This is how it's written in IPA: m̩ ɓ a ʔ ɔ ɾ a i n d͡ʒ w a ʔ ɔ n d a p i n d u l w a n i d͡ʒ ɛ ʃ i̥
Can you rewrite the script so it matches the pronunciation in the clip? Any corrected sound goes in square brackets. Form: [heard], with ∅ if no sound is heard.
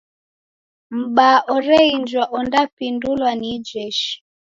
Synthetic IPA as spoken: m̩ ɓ a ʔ ɔ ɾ [ɛ] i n d͡ʒ w a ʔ ɔ n d a p i n d u l w a n i d͡ʒ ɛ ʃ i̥